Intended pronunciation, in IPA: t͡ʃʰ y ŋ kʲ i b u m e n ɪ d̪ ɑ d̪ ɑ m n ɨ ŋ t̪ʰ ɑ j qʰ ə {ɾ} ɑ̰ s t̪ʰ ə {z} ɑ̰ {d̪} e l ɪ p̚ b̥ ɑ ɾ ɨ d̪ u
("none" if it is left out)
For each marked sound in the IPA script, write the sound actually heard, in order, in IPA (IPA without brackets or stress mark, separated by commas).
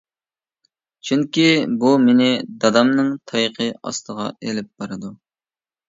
none, ʁ, none